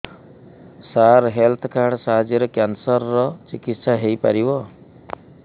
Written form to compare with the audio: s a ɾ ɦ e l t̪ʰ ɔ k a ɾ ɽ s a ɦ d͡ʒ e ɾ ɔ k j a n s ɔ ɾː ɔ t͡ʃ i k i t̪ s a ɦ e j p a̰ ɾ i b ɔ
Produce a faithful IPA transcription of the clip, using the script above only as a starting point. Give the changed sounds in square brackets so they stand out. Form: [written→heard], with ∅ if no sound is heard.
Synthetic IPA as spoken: s a ɾ ɦ e l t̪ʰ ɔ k a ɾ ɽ s a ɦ d͡ʒ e ɾ ɔ k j a n s ɔ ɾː ɔ t͡ʃ i k i t̪ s a ɦ e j p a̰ ɾ i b ɔ